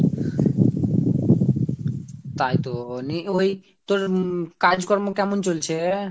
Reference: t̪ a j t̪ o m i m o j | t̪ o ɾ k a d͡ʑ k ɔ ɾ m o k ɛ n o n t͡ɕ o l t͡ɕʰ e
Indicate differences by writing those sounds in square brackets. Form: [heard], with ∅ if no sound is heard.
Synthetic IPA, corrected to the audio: t̪ a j t̪ o [n] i [∅] o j | t̪ o ɾ k a d͡ʑ k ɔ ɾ m o k ɛ [m] o n t͡ɕ o l t͡ɕʰ e